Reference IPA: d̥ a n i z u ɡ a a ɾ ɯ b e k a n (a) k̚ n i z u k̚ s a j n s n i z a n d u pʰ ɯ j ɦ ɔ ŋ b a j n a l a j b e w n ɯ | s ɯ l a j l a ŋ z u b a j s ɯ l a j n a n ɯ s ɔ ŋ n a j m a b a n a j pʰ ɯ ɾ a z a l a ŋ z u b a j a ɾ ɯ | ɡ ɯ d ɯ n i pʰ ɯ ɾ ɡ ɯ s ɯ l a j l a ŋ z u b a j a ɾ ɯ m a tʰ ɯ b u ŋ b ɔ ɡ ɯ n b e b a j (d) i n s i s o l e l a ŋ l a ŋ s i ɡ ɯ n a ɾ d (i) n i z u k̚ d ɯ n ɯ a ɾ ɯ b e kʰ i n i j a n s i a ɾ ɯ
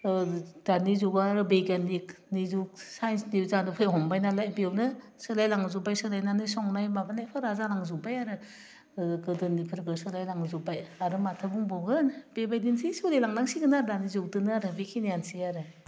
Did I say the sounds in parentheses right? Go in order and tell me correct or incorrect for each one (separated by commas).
incorrect, correct, incorrect